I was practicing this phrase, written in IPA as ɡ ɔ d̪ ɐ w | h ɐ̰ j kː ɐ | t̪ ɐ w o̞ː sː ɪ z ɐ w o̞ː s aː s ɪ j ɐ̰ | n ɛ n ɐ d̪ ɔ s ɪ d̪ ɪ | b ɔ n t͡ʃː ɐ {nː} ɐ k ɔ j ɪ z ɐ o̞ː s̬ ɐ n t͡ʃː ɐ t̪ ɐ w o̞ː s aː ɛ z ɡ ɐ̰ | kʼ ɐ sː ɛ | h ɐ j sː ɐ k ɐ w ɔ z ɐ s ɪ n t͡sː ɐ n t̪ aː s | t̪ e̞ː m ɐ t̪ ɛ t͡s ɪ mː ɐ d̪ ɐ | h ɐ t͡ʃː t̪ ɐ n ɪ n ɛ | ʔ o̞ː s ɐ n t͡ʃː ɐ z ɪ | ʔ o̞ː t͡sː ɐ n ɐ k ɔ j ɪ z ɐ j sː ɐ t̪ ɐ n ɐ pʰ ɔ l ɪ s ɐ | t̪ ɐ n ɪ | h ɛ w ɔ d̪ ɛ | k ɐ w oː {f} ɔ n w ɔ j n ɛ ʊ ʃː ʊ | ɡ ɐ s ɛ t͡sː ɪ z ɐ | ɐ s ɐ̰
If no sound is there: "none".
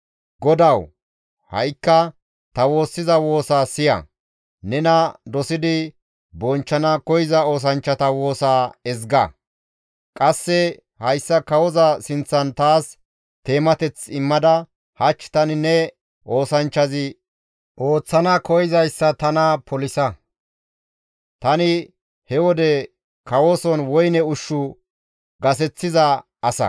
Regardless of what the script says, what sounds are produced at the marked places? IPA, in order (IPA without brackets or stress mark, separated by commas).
n, s